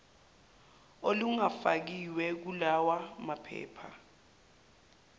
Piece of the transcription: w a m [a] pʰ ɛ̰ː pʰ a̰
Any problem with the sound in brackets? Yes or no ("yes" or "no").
no